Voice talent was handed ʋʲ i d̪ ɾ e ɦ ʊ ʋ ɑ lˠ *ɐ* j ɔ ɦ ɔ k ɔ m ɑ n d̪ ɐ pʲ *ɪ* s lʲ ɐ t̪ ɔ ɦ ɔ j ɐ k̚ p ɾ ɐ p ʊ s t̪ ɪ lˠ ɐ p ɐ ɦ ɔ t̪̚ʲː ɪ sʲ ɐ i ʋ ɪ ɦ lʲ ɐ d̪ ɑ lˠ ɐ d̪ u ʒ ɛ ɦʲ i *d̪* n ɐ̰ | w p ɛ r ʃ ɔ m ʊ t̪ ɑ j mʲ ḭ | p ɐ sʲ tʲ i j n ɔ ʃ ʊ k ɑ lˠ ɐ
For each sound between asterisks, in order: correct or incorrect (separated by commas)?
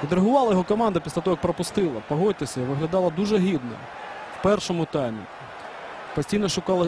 correct, incorrect, correct